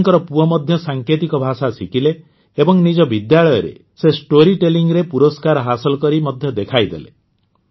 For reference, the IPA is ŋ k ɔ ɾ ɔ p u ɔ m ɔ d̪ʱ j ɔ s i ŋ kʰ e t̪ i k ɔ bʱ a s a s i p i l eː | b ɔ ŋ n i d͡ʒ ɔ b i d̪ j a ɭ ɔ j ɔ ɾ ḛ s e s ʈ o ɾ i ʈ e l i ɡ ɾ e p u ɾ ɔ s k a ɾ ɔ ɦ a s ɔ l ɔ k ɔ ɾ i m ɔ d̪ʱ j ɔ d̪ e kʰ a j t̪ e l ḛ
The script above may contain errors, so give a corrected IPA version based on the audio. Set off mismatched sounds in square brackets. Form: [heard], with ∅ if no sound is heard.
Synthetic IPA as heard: ŋ k ɔ ɾ ɔ p u ɔ m ɔ d̪ʱ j ɔ s [a] ŋ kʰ e t̪ i k ɔ bʱ a s a s i [k] i l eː | b ɔ ŋ n i d͡ʒ ɔ b i d̪ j a ɭ ɔ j ɔ ɾ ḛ s e s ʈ o ɾ i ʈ e l i [ŋ] ɾ e p u ɾ ɔ s k a ɾ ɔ ɦ a s ɔ l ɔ k ɔ ɾ i m ɔ d̪ʱ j ɔ d̪ e kʰ a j [d̪] e l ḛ